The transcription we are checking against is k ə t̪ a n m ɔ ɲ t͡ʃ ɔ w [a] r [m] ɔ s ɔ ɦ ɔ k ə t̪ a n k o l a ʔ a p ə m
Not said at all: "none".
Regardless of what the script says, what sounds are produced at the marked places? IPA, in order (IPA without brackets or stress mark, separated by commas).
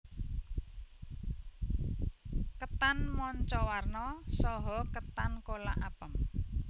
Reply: a, n